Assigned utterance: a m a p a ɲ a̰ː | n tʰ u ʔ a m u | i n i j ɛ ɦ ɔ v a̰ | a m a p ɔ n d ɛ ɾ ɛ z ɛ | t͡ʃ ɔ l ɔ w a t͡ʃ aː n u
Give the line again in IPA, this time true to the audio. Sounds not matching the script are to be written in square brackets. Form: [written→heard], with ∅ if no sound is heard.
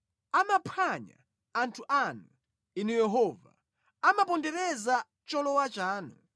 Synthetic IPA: a m a [p→pʰ] a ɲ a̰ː | n tʰ u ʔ a [m→n] u | i n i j ɛ ɦ ɔ v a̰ | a m a p ɔ n d ɛ ɾ ɛ z [ɛ→a] | t͡ʃ ɔ l ɔ w a t͡ʃ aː n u